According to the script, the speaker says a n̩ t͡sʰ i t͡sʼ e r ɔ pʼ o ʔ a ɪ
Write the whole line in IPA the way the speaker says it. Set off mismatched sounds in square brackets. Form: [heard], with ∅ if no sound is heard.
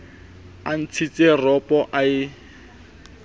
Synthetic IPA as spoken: a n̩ t͡sʰ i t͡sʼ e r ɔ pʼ [ɔ] ʔ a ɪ